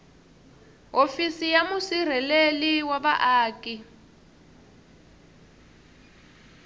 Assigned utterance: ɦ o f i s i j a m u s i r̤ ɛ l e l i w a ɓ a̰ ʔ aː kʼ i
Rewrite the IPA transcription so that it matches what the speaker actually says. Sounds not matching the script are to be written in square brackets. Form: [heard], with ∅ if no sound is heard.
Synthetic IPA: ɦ o f i s i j a m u s i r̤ ɛ l e l i w a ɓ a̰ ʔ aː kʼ i